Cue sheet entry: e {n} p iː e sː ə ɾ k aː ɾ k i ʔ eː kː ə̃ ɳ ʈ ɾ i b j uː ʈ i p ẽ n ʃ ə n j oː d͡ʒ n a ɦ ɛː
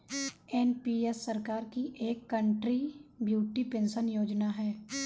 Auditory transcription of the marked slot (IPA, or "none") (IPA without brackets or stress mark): n